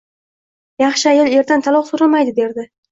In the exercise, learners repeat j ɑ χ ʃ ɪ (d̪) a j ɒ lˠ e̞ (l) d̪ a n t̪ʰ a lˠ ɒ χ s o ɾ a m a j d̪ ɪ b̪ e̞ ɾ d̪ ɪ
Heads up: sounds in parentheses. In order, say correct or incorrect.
incorrect: none, incorrect: ɾ

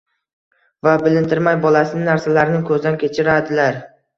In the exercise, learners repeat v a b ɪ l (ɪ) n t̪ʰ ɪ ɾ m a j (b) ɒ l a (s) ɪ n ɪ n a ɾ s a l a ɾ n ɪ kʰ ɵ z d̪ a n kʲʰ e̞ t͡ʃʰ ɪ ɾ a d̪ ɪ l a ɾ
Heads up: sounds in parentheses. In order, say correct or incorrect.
correct, correct, correct

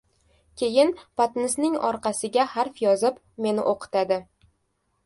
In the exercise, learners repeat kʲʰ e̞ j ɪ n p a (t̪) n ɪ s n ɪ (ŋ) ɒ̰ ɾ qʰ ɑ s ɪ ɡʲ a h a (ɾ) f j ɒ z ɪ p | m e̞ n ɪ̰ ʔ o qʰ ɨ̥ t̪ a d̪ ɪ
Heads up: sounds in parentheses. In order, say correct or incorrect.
correct, correct, correct

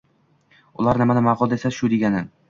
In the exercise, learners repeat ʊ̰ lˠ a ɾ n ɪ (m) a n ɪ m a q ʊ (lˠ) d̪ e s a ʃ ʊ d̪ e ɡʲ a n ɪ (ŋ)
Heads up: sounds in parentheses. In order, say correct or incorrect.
correct, correct, incorrect: n

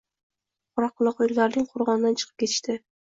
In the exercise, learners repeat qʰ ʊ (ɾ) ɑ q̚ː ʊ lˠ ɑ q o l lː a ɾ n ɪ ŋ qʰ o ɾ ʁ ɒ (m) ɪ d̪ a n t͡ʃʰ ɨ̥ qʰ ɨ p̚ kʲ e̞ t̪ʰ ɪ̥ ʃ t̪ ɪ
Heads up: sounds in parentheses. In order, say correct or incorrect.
correct, incorrect: n

